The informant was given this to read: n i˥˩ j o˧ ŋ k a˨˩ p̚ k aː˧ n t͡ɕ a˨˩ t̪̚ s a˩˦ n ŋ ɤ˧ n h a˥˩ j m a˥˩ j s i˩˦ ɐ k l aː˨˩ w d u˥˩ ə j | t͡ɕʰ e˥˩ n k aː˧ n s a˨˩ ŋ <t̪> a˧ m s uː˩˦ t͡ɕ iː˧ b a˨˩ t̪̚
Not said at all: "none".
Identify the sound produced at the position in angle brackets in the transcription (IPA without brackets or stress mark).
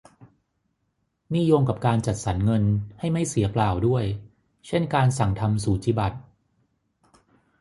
t̪ʰ